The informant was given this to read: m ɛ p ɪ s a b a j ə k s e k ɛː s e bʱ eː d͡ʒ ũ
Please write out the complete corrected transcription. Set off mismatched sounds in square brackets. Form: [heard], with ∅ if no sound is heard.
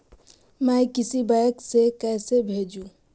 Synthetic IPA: m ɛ [k] ɪ s [i] b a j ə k s e k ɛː s e bʱ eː d͡ʒ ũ